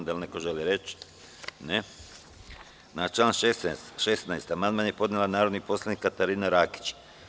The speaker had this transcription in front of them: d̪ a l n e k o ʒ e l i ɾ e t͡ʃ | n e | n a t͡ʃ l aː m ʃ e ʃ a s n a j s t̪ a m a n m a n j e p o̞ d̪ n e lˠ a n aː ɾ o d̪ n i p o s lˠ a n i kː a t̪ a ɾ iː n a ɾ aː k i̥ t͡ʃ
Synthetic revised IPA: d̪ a l n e k o ʒ e l i ɾ e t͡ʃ | n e | n a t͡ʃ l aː n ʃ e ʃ e s n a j s t̪ a m a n m a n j e p o̞ d̪ n e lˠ a n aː ɾ o d̪ n i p o s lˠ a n i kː a t̪ a ɾ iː n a ɾ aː k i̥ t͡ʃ